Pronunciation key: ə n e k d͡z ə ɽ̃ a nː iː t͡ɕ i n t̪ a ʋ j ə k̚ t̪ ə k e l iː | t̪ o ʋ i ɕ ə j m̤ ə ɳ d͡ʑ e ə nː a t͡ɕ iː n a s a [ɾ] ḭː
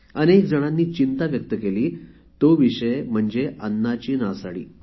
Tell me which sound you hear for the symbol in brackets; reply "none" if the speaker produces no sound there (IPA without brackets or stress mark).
ɽ